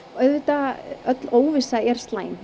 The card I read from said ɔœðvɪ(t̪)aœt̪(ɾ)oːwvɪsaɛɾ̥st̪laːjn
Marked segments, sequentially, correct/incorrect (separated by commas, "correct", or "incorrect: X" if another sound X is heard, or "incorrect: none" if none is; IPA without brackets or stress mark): correct, incorrect: l